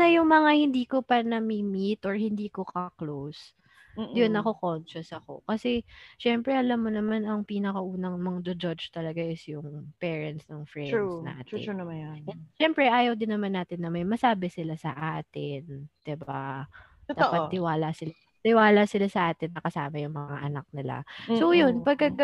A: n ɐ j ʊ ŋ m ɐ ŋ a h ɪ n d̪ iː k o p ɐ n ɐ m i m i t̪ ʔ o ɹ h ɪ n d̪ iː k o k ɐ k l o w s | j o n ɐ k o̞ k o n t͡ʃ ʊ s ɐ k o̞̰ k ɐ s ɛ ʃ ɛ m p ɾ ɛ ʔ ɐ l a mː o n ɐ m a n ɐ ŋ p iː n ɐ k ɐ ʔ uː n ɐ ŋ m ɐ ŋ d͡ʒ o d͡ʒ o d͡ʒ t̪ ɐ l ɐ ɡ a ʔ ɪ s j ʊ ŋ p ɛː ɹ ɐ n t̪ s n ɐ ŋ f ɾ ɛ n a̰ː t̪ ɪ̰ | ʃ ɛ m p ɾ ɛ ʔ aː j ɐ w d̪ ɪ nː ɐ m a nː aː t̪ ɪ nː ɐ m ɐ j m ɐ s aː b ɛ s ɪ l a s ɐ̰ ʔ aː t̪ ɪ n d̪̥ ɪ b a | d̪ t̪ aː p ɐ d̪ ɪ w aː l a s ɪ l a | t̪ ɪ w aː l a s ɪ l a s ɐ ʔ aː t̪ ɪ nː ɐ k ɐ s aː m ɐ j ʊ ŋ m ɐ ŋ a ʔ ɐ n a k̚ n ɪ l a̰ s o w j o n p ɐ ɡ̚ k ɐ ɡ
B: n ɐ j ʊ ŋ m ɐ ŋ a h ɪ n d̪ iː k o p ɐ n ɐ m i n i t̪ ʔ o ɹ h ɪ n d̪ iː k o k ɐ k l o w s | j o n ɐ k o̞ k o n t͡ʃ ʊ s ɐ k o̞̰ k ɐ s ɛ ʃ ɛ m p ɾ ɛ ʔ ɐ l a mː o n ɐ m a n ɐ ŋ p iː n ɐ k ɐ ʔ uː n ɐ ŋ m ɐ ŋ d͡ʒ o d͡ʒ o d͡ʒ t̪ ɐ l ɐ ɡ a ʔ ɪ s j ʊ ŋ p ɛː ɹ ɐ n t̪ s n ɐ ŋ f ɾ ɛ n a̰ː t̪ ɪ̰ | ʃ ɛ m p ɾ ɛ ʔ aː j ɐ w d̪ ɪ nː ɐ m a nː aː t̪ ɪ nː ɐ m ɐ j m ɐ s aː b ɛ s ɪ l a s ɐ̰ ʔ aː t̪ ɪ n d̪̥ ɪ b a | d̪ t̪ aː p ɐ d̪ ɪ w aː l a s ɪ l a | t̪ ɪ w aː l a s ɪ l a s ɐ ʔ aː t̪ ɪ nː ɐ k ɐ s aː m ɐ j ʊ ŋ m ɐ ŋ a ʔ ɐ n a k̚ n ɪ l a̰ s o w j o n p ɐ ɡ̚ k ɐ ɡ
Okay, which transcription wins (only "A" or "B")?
A